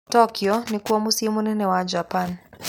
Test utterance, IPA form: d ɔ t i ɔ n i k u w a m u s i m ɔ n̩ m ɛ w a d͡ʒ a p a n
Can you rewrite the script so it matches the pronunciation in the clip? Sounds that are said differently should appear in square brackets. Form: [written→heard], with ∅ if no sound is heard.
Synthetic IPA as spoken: [d→t] ɔ [t→k] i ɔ n i k u w a m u s i m [ɔ→u] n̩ [m→n] ɛ w a d͡ʒ a p a n